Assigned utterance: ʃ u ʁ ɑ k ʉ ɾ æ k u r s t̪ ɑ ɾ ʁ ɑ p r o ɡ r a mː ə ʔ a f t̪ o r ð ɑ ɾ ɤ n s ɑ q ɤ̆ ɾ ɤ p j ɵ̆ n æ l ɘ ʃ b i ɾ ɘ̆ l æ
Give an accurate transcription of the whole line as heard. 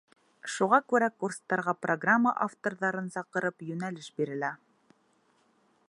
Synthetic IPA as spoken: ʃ u ʁ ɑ k ʉ ɾ æ k u r s t̪ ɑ ɾ ʁ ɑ p r o ɡ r a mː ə ʔ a f t̪ o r ð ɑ ɾ ɤ n s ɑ q ɤ̆ ɾ ɤ p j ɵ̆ n æ l ɘ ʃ b i ɾ ɘ̆ l æ